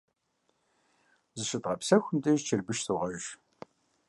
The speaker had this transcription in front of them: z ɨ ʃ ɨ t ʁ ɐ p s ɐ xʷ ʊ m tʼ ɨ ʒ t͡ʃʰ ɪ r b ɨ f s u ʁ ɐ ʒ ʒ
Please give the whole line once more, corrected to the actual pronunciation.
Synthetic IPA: z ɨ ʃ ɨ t ʁ ɐ p s ɐ xʷ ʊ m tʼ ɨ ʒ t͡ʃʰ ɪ r b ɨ ʃ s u ʁ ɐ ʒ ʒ